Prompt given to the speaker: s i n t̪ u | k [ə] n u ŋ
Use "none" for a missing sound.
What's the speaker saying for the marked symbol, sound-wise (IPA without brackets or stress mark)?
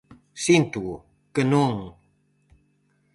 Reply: ə